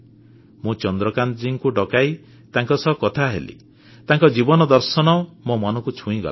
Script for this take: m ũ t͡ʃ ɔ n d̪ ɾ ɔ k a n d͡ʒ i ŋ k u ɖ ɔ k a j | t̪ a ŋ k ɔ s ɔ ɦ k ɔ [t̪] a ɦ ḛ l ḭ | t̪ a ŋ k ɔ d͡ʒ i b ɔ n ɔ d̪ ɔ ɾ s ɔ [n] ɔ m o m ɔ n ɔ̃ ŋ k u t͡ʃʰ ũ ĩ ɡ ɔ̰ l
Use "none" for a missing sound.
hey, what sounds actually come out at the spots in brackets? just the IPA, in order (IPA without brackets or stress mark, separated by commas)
t̪ʰ, n